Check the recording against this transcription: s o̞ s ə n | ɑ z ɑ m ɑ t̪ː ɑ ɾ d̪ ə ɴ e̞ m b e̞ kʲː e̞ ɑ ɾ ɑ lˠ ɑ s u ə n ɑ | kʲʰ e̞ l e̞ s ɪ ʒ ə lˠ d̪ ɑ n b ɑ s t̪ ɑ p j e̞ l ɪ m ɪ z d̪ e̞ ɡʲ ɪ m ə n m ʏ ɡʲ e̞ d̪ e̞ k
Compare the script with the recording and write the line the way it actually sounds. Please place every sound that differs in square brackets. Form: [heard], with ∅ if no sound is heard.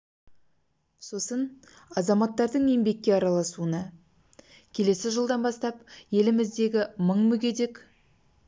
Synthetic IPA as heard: s o̞ s ə n | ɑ z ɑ m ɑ t̪ː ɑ ɾ d̪ ə ɴ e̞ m b e̞ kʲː e̞ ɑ ɾ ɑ lˠ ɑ s u ə n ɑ | kʲʰ e̞ l e̞ s ɪ ʒ ə lˠ d̪ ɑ n b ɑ s t̪ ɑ p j e̞ l ɪ m ɪ z d̪ e̞ ɡʲ ɪ m ə [ɴ] m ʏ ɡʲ e̞ d̪ e̞ k

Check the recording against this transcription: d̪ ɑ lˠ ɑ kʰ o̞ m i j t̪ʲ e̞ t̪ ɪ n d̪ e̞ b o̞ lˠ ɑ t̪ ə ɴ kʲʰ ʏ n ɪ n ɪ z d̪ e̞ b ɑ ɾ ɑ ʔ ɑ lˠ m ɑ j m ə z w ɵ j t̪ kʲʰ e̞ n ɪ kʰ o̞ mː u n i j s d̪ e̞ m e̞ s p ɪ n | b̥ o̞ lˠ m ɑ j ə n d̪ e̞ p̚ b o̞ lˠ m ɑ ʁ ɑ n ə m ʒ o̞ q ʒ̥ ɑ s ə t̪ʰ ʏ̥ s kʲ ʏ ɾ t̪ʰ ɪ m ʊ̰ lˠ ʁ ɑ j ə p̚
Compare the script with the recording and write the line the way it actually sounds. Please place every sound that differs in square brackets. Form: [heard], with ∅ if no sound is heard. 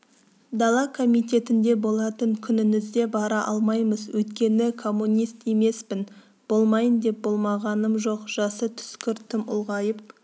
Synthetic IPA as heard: d̪ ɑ lˠ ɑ kʰ o̞ m i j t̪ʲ e̞ t̪ ɪ n d̪ e̞ b o̞ lˠ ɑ t̪ ə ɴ kʲʰ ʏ n ɪ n ɪ z d̪ e̞ b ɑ ɾ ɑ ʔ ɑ lˠ m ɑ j m ə z w ɵ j t̪ [kʲ] e̞ n ɪ kʰ o̞ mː u n i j s [t̪] e̞ m e̞ s p ɪ n | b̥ o̞ lˠ m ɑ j ə n d̪ e̞ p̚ b o̞ lˠ m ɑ ʁ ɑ n ə m ʒ o̞ q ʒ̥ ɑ s ə t̪ʰ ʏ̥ s kʲ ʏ ɾ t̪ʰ ɪ m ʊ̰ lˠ ʁ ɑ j ə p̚

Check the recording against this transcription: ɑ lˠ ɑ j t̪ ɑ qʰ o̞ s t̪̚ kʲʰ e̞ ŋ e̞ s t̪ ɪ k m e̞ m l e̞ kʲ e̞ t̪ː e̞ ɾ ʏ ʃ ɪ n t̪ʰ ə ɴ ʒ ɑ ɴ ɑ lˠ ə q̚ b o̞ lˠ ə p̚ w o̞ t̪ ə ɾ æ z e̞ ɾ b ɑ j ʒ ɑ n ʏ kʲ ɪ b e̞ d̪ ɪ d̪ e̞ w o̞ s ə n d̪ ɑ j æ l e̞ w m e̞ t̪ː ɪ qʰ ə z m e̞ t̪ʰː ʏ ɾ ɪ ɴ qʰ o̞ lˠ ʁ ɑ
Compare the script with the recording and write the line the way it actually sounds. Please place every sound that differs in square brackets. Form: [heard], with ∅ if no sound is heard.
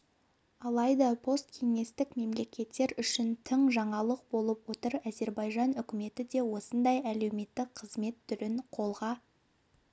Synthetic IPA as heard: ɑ lˠ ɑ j [d̪] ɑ [pʰ] o̞ s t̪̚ kʲʰ e̞ ŋ e̞ s t̪ ɪ k m e̞ m l e̞ kʲ e̞ t̪ː e̞ ɾ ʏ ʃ ɪ n t̪ʰ ə ɴ ʒ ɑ ɴ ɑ lˠ ə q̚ b o̞ lˠ ə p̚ w o̞ t̪ ə ɾ æ z e̞ ɾ b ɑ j ʒ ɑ n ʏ kʲ ɪ [m] e̞ [t̪] ɪ d̪ e̞ w o̞ s ə n d̪ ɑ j æ l e̞ w m e̞ t̪ː ɪ qʰ ə z m e̞ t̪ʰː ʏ ɾ ɪ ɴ qʰ o̞ lˠ ʁ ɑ

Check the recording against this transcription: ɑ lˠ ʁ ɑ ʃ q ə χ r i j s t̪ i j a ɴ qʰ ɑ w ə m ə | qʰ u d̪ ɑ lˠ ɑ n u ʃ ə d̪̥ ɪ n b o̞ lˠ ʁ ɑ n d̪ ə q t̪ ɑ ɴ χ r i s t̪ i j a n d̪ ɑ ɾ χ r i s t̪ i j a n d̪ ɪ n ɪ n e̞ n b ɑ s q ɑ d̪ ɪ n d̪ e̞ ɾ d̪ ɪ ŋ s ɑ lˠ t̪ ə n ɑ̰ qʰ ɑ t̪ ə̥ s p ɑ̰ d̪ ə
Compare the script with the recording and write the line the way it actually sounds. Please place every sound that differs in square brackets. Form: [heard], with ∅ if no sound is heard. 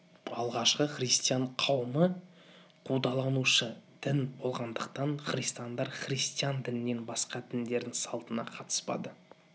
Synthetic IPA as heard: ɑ lˠ ʁ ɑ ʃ q ə χ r i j s t̪ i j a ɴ qʰ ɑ w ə m ə | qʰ u d̪ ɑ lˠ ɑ n u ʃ ə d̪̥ ɪ n b o̞ lˠ ʁ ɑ n d̪ ə q t̪ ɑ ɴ χ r i s t̪ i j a n d̪ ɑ ɾ χ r i s t̪ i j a n d̪ ɪ n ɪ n e̞ n b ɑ s q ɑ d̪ ɪ n d̪ e̞ ɾ d̪ ɪ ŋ s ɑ lˠ t̪ ə n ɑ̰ qʰ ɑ t̪ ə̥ s p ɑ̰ d̪ ə

